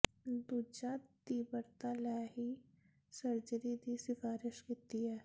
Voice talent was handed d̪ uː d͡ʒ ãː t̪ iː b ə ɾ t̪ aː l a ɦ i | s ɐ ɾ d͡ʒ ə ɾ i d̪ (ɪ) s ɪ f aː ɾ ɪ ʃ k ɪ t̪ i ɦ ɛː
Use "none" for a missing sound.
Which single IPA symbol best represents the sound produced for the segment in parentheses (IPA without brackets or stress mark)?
i